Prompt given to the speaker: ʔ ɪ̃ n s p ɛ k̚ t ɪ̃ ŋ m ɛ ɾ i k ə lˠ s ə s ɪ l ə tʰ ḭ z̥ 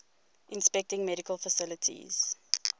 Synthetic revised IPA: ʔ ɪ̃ n s p ɛ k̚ t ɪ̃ ŋ m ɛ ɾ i k ə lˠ f ə s ɪ l ə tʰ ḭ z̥